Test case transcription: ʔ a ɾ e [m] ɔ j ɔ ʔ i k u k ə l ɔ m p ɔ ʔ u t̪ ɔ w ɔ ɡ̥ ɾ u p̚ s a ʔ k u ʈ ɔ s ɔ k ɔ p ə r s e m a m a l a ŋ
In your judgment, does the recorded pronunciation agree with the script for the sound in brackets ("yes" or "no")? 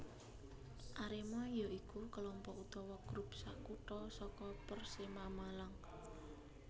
yes